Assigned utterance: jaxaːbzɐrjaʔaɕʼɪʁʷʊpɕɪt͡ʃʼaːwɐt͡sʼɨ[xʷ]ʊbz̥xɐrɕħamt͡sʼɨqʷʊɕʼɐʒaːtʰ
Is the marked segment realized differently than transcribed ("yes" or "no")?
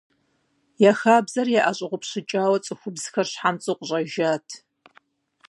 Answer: no